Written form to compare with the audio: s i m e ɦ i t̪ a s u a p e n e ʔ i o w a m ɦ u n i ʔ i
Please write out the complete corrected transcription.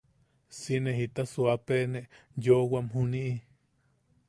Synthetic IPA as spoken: s i n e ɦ i t̪ a s u a p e n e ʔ j o w a m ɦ u n i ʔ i